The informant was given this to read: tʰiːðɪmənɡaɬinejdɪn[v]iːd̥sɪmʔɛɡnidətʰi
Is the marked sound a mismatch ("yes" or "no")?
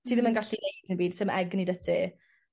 yes